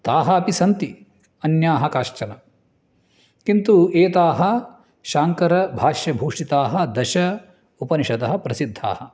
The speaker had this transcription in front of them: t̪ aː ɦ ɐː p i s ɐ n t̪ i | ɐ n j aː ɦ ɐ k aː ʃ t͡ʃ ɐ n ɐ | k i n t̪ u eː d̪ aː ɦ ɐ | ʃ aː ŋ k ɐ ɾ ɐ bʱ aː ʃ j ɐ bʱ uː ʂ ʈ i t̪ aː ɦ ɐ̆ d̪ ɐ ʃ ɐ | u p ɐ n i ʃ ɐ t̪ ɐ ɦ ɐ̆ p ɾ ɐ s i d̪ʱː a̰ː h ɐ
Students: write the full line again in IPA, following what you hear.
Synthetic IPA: t̪ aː ɦ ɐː p i s ɐ n t̪ i | ɐ n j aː ɦ ɐ k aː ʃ t͡ʃ ɐ n ɐ | k i n t̪ u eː t̪ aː ɦ ɐ | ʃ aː ŋ k ɐ ɾ ɐ bʱ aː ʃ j ɐ bʱ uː ʂ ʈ i t̪ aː ɦ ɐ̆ d̪ ɐ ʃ ɐ | u p ɐ n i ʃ ɐ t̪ ɐ ɦ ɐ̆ p ɾ ɐ s i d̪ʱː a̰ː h ɐ

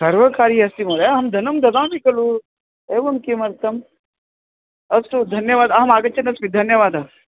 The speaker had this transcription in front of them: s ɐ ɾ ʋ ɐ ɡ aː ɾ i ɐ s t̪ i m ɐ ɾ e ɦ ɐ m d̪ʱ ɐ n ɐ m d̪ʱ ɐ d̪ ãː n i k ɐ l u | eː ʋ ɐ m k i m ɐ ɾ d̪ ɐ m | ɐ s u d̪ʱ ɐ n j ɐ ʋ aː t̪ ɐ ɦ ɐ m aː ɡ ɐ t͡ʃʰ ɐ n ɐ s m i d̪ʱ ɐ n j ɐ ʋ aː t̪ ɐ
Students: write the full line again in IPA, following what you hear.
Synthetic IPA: s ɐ ɾ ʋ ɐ k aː ɾ i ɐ s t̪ i m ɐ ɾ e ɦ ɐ m d̪ʱ ɐ n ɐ m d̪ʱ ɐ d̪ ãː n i k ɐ l u | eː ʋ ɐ m k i m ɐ ɾ t̪ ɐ m | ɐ s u d̪ʱ ɐ n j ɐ ʋ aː d̪ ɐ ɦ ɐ m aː ɡ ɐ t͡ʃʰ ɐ n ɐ s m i d̪ʱ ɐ n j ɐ ʋ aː d̪ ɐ

